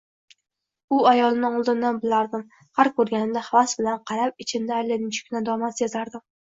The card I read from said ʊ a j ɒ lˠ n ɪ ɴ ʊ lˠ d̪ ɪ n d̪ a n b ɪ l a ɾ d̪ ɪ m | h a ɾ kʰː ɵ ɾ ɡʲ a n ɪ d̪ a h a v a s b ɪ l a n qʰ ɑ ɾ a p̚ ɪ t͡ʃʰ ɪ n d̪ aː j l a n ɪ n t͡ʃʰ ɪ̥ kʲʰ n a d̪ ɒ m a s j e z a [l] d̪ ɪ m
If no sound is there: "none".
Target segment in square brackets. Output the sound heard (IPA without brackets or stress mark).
ɾ